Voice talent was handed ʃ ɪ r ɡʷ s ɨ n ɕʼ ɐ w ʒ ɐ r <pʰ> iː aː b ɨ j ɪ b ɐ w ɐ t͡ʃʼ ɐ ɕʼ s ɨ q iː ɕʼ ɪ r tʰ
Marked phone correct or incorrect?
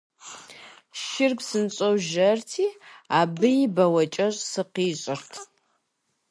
incorrect